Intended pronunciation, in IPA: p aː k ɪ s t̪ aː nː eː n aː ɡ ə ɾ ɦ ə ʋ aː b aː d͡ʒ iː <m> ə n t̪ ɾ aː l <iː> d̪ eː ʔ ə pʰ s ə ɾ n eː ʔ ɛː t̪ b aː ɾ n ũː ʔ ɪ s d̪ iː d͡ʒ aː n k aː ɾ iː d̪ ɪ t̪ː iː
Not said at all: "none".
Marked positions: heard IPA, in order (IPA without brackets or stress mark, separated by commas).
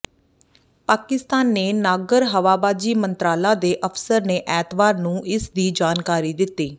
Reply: m, aː